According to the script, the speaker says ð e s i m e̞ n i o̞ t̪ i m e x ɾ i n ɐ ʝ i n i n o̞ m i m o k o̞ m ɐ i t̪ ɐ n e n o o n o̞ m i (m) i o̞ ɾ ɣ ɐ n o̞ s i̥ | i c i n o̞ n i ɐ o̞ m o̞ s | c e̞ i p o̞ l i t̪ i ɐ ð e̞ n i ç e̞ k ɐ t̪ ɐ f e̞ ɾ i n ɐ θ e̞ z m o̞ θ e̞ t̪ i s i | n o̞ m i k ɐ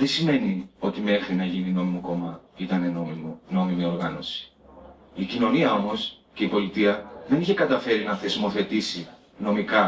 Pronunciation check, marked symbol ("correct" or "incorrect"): correct